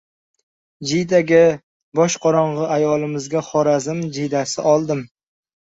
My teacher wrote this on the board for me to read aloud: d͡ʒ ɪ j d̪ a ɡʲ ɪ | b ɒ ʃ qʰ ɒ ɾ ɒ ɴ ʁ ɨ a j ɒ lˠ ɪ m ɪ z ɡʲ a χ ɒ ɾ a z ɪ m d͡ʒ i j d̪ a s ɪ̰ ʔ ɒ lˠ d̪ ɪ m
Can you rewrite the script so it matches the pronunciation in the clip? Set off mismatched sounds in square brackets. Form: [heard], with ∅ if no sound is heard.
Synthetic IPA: d͡ʒ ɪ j d̪ a ɡʲ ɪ | b ɒ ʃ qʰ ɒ ɾ ɒ ɴ ʁ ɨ a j ɒ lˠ ɪ m ɪ z ɡʲ a χ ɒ ɾ a z ɪ m d͡ʒ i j d̪ a s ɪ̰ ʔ ɒ lˠ d̪ ɪ m